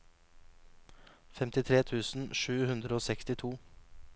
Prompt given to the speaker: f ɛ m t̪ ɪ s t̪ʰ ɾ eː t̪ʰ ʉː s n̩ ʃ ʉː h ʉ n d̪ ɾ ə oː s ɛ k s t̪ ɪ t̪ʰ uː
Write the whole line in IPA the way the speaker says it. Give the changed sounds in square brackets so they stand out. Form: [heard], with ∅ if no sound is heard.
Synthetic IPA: f ɛ m t̪ ɪ [∅] t̪ʰ ɾ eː t̪ʰ ʉː s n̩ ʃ ʉː h ʉ n d̪ ɾ ə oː s ɛ k s t̪ ɪ t̪ʰ uː